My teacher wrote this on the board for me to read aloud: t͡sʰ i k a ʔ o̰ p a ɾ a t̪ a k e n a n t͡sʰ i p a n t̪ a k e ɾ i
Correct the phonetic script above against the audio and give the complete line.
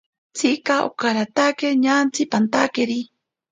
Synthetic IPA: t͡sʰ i k a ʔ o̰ k a ɾ a t̪ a k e ɲ a n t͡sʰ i p a n t̪ a k e ɾ i